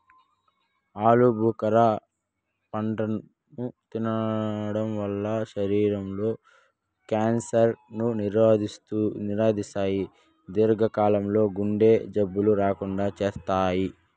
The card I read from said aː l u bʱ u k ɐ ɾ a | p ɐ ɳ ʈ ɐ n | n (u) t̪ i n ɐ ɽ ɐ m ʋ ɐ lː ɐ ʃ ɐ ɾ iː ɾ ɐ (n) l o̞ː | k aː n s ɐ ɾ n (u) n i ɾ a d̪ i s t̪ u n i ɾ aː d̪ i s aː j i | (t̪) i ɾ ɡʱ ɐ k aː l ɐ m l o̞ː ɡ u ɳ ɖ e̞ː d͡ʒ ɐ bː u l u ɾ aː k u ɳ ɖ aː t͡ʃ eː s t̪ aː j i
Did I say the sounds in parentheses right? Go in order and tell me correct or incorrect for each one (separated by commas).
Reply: correct, incorrect, correct, incorrect